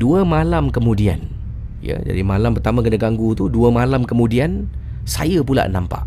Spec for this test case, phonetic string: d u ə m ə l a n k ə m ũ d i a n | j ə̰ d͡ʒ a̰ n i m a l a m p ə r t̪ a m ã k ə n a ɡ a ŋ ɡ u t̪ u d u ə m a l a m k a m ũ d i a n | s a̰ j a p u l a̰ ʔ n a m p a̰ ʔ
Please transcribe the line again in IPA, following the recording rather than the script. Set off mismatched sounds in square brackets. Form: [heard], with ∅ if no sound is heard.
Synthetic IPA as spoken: d u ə m [a] l a [m] k ə m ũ d i a n | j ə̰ d͡ʒ a̰ [d] i m a l a m p ə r t̪ a m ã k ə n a ɡ a ŋ ɡ u t̪ u d u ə m a l a m k [ə] m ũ d i a n | s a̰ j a p u l a̰ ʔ n a m p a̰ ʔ